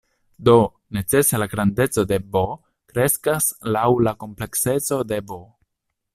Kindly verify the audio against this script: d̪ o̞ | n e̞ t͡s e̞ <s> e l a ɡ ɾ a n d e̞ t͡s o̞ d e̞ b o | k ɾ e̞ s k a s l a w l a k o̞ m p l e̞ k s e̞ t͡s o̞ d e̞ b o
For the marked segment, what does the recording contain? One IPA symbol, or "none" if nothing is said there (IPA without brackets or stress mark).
s